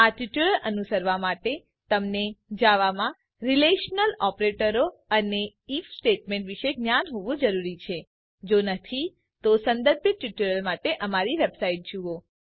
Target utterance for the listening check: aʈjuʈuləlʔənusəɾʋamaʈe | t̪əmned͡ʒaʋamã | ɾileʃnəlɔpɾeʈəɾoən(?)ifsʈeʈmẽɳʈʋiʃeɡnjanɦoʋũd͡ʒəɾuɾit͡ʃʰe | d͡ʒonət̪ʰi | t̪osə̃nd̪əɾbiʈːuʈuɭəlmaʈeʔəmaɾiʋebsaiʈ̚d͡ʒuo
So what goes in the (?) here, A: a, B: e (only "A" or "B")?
B